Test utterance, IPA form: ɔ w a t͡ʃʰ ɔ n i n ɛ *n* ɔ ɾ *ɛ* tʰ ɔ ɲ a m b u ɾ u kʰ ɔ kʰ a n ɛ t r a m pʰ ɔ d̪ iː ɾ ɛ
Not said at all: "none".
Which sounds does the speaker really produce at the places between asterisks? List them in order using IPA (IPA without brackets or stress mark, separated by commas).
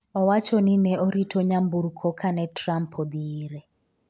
none, i